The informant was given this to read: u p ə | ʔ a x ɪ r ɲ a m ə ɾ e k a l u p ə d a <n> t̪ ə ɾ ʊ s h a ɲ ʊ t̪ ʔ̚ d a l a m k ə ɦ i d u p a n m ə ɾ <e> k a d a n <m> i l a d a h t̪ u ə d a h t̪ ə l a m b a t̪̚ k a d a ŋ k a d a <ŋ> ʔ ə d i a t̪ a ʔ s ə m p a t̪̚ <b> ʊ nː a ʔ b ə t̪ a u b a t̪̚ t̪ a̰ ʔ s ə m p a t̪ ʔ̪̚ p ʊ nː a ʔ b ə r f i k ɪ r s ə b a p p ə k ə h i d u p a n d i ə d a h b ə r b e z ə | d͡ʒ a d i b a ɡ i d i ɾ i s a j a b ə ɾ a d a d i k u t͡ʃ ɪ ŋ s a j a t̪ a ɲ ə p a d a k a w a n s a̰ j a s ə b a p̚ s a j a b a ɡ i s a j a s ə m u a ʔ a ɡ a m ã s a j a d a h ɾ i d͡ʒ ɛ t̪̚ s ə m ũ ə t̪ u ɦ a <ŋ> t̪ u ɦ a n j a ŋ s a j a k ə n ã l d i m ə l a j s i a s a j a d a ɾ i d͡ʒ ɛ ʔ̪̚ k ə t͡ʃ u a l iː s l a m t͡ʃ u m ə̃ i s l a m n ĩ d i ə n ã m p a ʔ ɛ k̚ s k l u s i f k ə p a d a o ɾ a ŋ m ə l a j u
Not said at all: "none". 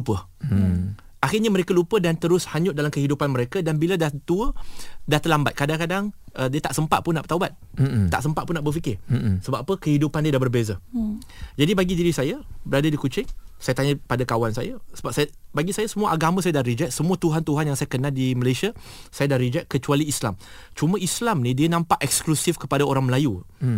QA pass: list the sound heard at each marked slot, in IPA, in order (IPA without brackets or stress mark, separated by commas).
n, e, b, ŋ, p, n